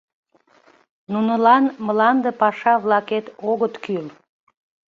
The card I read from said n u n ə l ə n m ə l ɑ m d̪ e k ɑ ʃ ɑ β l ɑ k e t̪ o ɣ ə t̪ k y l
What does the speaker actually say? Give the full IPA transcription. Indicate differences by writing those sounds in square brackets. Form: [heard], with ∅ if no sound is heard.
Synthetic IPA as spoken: n u n ə l [ɑ] n m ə l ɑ [n] d̪ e [p] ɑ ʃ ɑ β l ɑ k e t̪ o ɣ ə t̪ k y l